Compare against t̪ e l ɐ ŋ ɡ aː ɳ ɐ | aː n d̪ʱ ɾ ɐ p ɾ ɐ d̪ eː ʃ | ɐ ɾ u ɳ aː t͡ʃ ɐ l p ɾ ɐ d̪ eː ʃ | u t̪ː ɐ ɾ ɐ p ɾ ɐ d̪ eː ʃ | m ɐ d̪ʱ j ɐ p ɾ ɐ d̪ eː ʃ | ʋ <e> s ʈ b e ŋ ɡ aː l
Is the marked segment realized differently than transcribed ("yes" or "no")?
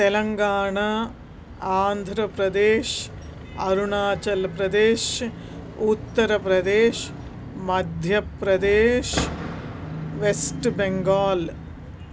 no